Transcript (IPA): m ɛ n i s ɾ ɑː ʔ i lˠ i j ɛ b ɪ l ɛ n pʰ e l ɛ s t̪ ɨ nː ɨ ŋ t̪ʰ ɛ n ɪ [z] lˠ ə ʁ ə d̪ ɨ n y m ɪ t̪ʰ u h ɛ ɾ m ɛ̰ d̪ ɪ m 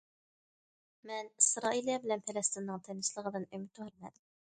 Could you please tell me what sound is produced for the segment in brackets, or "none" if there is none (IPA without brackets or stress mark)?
s